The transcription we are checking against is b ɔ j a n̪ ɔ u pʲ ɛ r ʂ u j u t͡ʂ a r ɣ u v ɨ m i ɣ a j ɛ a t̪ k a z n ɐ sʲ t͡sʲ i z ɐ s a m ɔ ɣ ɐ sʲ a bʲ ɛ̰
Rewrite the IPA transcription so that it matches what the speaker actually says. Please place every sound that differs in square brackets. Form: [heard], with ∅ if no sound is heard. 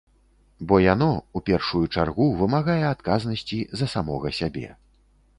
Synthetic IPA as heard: b ɔ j a n̪ ɔ u pʲ ɛ r ʂ u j u t͡ʂ a r ɣ u v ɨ m [a] ɣ a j ɛ a t̪ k a z n ɐ sʲ t͡sʲ i z ɐ s a m ɔ ɣ ɐ sʲ a bʲ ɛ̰